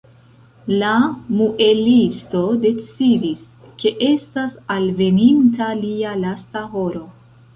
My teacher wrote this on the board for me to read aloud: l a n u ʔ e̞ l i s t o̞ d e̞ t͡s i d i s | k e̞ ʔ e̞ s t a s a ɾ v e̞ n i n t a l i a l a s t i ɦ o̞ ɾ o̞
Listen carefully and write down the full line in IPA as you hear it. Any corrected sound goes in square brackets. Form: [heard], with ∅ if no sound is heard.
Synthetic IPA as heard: l a [m] u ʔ e̞ l i s t o̞ d e̞ t͡s i d i s | k e̞ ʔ e̞ s t a s a [l] v e̞ n i n t a l i a l a s t [a] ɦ o̞ ɾ o̞

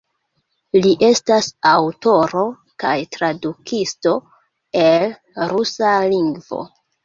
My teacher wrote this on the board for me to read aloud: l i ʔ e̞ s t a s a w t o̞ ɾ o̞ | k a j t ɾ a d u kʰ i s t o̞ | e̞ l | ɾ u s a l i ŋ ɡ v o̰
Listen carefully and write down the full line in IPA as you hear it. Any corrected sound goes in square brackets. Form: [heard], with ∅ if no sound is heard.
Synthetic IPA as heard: l i ʔ e̞ s t a s a w t o̞ ɾ o̞ | k a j t ɾ a d u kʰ i s t o̞ | e̞ l | ɾ u s a l i ŋ ɡ v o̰

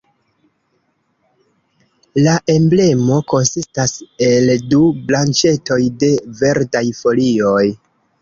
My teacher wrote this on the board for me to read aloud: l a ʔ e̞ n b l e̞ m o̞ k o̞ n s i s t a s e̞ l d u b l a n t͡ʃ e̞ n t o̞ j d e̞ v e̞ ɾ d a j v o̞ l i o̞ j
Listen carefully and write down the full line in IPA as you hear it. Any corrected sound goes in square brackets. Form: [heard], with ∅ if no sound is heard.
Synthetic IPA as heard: l a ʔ e̞ [m] b l e̞ m o̞ k o̞ n s i s t a s e̞ l d u b l a n t͡ʃ e̞ [∅] t o̞ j d e̞ v e̞ ɾ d a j [f] o̞ l i o̞ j

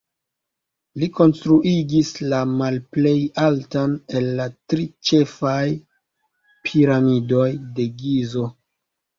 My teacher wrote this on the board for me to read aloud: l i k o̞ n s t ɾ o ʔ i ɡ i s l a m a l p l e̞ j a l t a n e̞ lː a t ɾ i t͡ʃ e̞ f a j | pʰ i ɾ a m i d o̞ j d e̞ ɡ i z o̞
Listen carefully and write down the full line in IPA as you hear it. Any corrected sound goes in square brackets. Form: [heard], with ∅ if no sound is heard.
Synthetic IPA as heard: l i k o̞ n s t ɾ [u] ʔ i ɡ i s l a m a l p l e̞ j a l t a n e̞ lː a t ɾ i t͡ʃ e̞ f a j | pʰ i ɾ a m i d o̞ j d e̞ ɡ i z o̞

